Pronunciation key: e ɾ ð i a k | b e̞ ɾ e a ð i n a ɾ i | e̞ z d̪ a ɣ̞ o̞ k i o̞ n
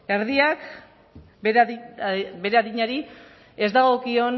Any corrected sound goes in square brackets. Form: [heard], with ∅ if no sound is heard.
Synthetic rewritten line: e ɾ ð i a k | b e̞ ɾ e a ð i [ɲ] a ɾ i | e̞ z d̪ a ɣ̞ o̞ k i o̞ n